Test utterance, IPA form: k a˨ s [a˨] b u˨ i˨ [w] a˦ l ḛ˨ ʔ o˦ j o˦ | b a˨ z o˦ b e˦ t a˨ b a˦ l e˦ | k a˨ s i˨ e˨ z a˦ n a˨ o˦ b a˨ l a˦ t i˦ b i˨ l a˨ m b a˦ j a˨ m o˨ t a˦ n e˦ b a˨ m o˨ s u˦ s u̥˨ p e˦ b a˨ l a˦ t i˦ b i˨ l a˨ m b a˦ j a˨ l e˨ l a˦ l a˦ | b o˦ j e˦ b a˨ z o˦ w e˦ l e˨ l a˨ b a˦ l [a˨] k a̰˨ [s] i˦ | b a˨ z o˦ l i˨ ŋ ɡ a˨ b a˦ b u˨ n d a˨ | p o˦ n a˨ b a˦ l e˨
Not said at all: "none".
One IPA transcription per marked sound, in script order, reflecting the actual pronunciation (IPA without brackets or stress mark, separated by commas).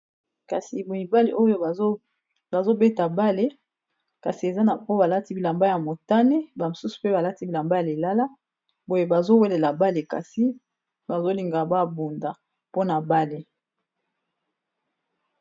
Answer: i˨, b, e˨, s